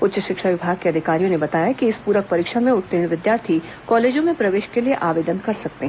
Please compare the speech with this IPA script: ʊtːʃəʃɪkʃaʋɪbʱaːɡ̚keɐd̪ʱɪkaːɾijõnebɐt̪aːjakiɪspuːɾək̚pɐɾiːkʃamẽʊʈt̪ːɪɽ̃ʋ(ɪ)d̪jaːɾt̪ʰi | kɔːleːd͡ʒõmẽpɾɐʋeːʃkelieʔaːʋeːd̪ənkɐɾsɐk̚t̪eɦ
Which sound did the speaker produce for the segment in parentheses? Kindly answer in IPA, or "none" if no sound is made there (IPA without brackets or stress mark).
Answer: ɪ